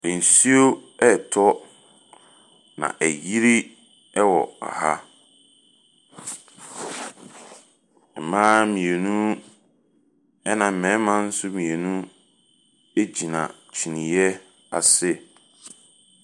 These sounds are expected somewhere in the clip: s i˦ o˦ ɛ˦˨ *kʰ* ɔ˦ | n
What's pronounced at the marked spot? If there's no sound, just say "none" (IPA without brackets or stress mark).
tʰ